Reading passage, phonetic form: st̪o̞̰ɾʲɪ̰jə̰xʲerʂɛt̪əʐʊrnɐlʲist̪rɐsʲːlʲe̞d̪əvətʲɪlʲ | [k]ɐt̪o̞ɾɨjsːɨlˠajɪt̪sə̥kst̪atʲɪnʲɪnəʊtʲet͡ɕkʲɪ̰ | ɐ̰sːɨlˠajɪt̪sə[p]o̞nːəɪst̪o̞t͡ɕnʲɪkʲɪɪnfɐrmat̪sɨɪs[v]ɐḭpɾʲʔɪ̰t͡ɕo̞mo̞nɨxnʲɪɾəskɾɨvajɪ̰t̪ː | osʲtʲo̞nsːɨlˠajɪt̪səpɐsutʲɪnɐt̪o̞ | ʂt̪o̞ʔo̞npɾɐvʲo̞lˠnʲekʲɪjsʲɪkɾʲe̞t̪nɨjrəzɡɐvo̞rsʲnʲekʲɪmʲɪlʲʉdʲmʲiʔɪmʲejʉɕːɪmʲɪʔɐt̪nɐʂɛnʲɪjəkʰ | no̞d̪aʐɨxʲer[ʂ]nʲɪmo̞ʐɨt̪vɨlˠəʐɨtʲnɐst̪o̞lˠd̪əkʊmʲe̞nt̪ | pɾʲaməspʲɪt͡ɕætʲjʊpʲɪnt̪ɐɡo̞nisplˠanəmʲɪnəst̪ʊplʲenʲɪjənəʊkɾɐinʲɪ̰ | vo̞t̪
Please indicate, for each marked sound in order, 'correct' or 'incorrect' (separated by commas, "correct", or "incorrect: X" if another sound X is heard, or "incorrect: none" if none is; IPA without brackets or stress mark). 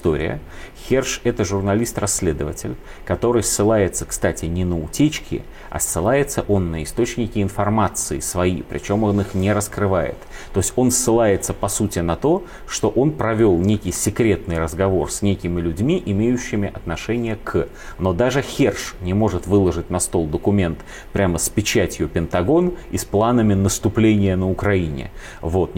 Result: correct, incorrect: ʔ, correct, correct